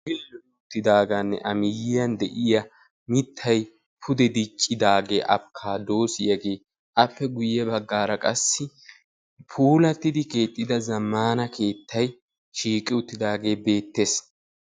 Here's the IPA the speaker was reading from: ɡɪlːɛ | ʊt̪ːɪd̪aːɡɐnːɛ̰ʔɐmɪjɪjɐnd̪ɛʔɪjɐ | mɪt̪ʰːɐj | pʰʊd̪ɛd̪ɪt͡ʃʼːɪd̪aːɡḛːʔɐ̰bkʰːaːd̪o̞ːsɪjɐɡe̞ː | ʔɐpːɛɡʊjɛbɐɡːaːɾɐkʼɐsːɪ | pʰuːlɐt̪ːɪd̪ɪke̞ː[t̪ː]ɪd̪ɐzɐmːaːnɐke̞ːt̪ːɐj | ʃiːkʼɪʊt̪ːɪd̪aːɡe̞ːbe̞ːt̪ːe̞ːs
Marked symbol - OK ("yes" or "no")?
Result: no